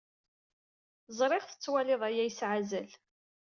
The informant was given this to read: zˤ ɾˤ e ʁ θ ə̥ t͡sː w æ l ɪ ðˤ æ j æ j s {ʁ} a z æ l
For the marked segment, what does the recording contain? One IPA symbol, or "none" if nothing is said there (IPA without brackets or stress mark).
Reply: ʕ